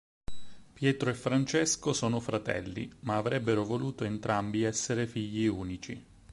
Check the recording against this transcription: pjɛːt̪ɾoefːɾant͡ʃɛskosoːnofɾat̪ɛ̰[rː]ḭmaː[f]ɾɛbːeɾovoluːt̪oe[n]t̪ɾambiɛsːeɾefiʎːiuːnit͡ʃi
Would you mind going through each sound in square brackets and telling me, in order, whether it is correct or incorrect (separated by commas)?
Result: incorrect, incorrect, correct